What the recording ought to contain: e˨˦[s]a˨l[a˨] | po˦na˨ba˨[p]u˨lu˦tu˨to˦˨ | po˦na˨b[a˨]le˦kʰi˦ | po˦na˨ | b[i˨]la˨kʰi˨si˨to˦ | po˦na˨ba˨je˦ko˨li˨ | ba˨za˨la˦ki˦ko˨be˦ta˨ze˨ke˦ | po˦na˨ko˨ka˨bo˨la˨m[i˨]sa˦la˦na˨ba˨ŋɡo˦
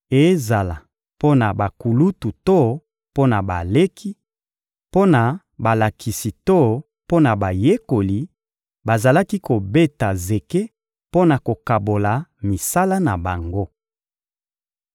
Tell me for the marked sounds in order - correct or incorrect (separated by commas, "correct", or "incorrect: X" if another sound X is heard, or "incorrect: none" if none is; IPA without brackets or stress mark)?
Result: incorrect: z, correct, incorrect: k, correct, incorrect: a˨, correct